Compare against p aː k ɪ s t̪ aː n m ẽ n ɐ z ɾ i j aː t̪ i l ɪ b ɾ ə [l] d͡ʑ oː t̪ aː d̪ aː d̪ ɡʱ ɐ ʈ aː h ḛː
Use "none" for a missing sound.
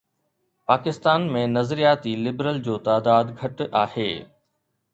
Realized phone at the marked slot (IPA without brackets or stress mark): l